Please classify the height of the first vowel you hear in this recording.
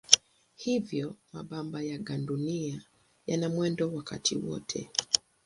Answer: high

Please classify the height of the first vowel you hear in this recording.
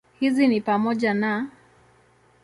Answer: high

